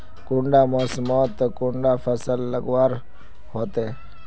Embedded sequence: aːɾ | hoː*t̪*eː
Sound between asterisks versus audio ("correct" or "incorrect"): correct